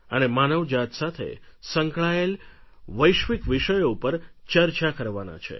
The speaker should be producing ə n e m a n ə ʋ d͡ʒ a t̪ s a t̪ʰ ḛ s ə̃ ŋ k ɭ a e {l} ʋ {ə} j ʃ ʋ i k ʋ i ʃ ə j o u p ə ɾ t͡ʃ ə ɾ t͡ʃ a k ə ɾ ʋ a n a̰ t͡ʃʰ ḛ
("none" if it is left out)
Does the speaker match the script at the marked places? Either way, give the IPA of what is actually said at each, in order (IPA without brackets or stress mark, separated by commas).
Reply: l, ə